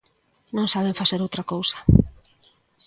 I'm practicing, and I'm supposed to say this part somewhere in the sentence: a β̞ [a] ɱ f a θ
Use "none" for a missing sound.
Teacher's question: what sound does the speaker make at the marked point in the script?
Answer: e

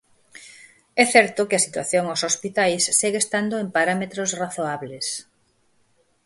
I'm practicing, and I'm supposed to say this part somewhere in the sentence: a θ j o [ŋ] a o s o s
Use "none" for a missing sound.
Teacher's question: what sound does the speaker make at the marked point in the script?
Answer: ŋ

